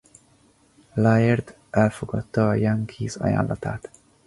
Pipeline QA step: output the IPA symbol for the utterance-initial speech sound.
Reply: l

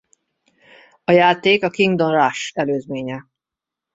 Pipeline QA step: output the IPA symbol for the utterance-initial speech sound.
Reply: ɒ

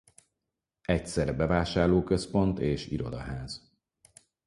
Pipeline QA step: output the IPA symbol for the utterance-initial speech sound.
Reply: ɛ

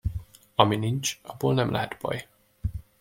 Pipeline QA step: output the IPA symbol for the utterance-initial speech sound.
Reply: ɒ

